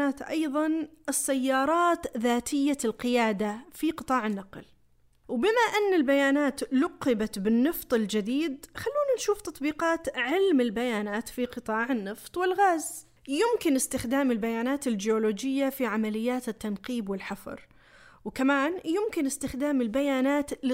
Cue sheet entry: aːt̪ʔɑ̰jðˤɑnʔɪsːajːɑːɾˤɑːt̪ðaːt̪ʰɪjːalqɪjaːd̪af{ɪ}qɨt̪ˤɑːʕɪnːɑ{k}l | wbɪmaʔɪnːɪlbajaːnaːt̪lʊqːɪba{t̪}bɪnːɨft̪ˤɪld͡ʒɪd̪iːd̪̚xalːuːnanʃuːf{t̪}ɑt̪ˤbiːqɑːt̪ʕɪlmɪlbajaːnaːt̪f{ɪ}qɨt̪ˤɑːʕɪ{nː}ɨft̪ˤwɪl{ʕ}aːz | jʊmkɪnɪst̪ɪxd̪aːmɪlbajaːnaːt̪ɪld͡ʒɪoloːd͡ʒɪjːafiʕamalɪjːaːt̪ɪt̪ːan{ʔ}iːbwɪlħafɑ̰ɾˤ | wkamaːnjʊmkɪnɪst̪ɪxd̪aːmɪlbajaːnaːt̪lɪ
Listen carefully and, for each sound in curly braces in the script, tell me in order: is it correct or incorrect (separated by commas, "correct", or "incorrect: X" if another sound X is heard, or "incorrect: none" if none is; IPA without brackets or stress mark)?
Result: incorrect: i, incorrect: q, correct, correct, incorrect: i, correct, incorrect: ɣ, incorrect: q